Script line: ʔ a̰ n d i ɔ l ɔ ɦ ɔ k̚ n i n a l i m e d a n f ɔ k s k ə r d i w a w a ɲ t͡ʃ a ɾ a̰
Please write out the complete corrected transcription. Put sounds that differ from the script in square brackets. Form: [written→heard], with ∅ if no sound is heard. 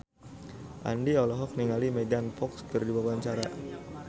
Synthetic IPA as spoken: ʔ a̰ n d i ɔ l ɔ ɦ ɔ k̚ n i [n→ŋ] a l i m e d a n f ɔ k s k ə r d i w a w a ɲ t͡ʃ a ɾ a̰